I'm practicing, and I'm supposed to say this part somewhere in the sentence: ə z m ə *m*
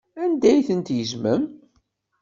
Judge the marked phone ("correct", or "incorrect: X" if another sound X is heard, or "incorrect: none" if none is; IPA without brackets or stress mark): correct